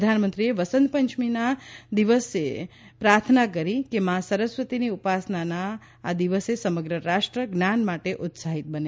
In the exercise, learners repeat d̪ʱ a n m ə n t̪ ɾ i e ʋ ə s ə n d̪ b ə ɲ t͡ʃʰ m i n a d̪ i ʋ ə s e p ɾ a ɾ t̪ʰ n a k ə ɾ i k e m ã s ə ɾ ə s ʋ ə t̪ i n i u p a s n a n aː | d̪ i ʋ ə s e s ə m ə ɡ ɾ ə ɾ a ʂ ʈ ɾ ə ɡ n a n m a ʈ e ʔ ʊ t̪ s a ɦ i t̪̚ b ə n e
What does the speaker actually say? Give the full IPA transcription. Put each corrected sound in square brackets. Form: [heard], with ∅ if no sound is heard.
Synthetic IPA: d̪ʱ a n m ə n t̪ ɾ i e ʋ ə s ə n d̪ [p] ə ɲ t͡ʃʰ m i n a d̪ i ʋ ə s e p ɾ a ɾ t̪ʰ n a k ə ɾ i k e m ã s ə ɾ ə s ʋ ə t̪ i n i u p a s n a n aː | d̪ i ʋ ə s e s ə m ə ɡ ɾ ə ɾ a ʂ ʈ ɾ ə ɡ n a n m a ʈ e ʔ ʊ t̪ s a ɦ i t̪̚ b ə n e

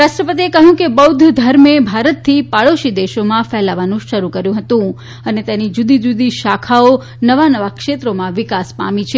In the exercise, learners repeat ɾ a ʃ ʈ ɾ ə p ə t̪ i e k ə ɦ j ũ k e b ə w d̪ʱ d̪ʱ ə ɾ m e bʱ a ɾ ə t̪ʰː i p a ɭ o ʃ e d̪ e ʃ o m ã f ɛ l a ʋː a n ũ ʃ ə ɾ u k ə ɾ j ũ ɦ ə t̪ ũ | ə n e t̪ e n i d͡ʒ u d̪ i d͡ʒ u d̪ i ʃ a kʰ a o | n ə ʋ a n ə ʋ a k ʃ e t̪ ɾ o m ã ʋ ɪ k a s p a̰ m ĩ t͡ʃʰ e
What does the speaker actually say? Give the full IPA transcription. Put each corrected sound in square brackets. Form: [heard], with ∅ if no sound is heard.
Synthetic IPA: ɾ a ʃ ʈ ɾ ə p ə t̪ i e k ə ɦ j ũ k e b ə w d̪ʱ d̪ʱ ə ɾ m e bʱ a ɾ ə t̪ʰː i p a ɭ o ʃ [i] d̪ e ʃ o m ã f ɛ l a [ʋ] a n ũ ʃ ə ɾ u k ə ɾ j ũ ɦ ə t̪ ũ | ə n e t̪ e n i d͡ʒ u d̪ i d͡ʒ u d̪ i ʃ a kʰ a o | n ə ʋ a n ə ʋ a k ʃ e t̪ ɾ o m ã ʋ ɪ k a s p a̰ m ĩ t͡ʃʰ e

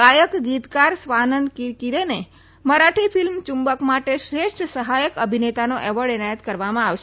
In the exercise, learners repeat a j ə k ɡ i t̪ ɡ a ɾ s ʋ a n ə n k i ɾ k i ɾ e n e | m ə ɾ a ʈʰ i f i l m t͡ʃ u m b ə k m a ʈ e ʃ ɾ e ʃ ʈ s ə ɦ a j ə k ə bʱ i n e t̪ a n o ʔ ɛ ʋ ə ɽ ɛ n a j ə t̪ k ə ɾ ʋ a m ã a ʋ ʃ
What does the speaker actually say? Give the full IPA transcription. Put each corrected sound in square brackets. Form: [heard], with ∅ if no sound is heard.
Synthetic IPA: a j ə k ɡ i t̪ [k] a ɾ s ʋ a n ə n k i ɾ k i ɾ e n e | m ə ɾ a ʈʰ i f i l m t͡ʃ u m b ə k m a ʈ e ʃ ɾ e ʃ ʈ s ə ɦ a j ə k ə bʱ i n e t̪ a n o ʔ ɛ ʋ ə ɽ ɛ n a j ə t̪ k ə ɾ ʋ a m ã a ʋ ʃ

